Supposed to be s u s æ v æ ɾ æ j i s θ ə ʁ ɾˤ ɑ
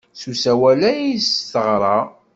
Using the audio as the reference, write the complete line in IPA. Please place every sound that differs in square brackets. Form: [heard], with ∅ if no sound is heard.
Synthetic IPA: s u s æ [w] æ [l] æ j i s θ ə ʁ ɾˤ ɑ

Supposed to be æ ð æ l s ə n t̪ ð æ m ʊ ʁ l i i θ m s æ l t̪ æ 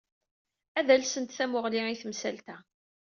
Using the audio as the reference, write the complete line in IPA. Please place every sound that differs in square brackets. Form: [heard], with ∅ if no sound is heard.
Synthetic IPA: æ ð æ l s ə n t̪ [θ] æ m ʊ ʁ l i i θ m s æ l t̪ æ

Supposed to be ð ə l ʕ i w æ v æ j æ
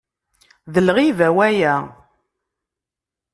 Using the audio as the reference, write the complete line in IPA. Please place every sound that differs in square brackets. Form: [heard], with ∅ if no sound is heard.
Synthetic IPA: ð ə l [ʁ] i [v] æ [w] æ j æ

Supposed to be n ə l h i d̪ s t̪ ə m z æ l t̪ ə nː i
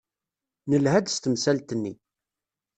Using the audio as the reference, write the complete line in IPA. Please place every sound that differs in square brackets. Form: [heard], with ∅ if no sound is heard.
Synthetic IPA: n ə l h [æ] d̪ s t̪ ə m [s] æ l t̪ ə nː i

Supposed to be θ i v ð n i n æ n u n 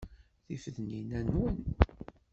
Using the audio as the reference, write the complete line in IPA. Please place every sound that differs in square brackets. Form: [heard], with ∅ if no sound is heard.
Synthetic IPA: θ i [f] ð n i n æ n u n

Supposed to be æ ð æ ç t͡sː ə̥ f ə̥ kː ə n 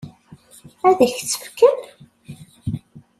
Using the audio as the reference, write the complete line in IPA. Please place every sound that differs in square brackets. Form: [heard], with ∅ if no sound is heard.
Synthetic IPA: æ ð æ ç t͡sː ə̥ f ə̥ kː ə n

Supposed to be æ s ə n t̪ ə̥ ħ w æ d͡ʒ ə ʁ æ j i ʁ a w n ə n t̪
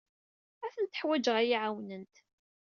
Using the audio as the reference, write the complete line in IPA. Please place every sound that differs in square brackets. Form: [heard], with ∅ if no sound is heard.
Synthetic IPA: æ [θ] ə n t̪ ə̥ ħ w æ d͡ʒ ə ʁ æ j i [ʕ] a w n ə n t̪

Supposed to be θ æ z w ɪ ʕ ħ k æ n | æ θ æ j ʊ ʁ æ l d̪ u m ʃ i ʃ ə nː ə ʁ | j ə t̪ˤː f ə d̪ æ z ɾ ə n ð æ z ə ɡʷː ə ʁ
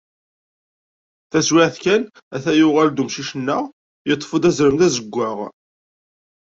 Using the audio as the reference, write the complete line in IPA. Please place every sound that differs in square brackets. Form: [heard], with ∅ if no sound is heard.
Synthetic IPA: θ æ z w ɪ ʕ [θ] k æ n | æ θ æ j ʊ ʁ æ l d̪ u m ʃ i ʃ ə nː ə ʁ | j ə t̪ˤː f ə d̪ æ z ɾ ə [m] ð æ z ə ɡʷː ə ʁ

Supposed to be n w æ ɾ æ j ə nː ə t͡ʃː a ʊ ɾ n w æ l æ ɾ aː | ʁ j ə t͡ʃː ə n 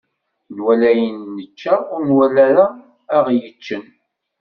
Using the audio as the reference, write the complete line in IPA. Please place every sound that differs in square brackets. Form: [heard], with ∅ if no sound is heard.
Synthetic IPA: n w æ [l] æ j ə nː ə t͡ʃː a ʊ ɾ n w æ l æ ɾ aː | ʁ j ə t͡ʃː ə n

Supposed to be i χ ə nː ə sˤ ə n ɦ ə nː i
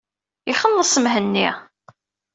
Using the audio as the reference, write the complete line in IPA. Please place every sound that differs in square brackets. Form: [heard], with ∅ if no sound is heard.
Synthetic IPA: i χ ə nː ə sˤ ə [m] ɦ ə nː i

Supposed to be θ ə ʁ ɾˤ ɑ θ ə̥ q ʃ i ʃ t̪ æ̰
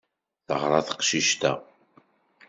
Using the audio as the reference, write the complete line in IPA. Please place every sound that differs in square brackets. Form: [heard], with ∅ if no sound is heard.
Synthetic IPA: θ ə ʁ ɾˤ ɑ θ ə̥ q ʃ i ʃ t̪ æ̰

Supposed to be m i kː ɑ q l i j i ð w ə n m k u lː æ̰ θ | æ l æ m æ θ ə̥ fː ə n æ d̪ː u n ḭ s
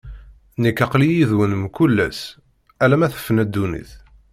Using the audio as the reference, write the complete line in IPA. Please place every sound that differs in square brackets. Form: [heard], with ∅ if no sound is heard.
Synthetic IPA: [n] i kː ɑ q l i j i ð w ə n m k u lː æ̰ [s] | æ l æ m æ θ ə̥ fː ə n æ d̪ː u n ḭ [θ]

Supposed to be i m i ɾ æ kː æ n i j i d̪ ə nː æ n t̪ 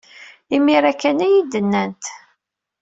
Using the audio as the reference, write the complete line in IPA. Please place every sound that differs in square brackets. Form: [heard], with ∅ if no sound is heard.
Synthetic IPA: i m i ɾ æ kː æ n [æ] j i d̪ ə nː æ n t̪

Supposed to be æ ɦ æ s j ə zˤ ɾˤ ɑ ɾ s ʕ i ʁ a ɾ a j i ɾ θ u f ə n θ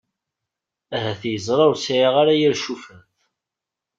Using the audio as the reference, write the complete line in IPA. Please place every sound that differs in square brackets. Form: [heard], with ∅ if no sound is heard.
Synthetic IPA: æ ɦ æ [θ] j ə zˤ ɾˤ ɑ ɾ s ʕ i ʁ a ɾ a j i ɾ [ʃ] u f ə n θ

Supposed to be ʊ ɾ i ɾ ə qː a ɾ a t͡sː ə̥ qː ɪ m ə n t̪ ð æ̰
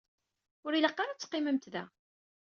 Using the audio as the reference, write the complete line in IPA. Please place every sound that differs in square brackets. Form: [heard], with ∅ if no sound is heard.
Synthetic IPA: ʊ ɾ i [l] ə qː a ɾ a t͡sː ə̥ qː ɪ m ə [m] t̪ ð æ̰

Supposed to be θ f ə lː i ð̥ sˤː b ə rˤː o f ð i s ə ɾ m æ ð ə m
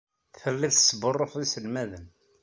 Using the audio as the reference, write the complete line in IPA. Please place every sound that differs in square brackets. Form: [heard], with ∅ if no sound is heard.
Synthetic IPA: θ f ə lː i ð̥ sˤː b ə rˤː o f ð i s ə [l] m æ ð ə [n]

